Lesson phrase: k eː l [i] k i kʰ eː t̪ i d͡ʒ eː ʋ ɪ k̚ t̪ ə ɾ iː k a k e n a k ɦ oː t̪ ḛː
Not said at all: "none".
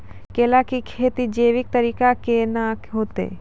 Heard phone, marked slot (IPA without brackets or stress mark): a